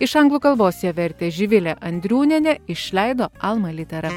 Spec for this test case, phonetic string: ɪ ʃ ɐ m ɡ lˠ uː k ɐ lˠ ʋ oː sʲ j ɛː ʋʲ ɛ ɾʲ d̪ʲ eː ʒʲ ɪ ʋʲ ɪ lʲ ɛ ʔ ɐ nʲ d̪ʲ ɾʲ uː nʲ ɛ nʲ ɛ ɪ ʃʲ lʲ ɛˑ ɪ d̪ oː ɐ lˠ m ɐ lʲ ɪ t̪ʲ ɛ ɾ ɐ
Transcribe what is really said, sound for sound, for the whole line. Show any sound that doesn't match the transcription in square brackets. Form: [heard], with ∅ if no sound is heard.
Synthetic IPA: ɪ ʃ ɐ [ŋ] ɡ lˠ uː k ɐ lˠ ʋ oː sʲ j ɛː ʋʲ ɛ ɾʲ [t̪ʲ] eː ʒʲ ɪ ʋʲ ɪ lʲ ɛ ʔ ɐ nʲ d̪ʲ ɾʲ uː nʲ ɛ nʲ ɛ ɪ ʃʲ lʲ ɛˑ ɪ d̪ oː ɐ lˠ m ɐ lʲ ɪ t̪ʲ ɛ ɾ ɐ